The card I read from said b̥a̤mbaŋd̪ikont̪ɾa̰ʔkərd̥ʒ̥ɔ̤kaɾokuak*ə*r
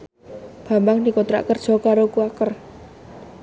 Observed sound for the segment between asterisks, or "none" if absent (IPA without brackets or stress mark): ə